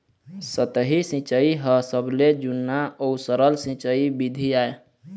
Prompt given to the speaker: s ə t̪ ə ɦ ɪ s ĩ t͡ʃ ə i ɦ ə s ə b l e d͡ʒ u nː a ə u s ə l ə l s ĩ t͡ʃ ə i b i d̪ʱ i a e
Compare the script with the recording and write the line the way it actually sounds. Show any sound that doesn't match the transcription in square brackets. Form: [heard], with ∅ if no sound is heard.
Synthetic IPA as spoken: s ə t̪ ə ɦ [i] s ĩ t͡ʃ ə i ɦ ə s ə b l e d͡ʒ u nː a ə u s ə [ɾ] ə l s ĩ t͡ʃ ə i b i d̪ʱ i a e